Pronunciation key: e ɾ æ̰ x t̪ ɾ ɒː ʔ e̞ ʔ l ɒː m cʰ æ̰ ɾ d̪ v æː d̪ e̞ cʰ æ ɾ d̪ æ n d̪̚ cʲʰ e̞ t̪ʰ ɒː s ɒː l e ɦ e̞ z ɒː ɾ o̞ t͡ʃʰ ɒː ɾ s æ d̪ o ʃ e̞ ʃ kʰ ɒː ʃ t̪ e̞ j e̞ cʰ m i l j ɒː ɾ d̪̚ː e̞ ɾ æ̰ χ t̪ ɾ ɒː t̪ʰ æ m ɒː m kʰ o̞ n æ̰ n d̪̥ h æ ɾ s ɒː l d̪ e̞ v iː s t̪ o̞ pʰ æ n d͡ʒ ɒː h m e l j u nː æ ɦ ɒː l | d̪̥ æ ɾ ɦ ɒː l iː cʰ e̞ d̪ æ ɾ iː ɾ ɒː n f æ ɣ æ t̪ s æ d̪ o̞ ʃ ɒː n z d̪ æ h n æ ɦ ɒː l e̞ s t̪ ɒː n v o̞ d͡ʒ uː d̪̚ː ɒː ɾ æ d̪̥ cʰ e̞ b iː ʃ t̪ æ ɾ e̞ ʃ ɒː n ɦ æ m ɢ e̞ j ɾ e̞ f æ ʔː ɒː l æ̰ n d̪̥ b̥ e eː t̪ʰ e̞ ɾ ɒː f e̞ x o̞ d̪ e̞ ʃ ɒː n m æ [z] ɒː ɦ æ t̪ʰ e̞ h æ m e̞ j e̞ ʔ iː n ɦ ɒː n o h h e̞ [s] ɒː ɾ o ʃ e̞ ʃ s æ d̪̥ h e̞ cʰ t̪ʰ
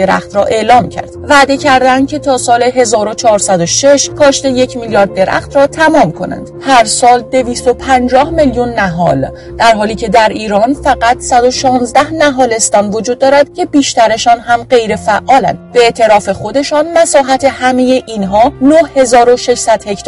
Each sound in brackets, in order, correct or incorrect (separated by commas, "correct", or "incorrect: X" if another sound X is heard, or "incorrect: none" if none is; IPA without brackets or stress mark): incorrect: s, incorrect: z